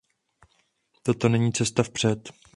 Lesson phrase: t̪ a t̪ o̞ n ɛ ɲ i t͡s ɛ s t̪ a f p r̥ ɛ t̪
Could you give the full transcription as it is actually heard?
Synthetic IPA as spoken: t̪ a t̪ o̞ n ɛ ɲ iː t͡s ɛ s t̪ a f p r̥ ɛ t̪